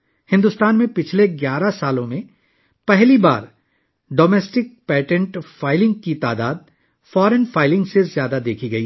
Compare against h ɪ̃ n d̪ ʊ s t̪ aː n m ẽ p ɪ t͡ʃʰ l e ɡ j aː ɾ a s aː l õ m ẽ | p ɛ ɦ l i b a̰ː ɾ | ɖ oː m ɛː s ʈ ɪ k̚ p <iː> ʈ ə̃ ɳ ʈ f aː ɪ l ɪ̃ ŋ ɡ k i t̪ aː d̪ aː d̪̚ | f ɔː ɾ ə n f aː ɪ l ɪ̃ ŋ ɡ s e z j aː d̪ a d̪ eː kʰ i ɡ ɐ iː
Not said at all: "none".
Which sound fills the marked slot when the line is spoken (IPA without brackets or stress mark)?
ɛː